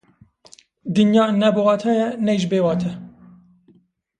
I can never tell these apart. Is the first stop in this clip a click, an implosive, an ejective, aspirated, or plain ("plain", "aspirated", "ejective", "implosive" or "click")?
plain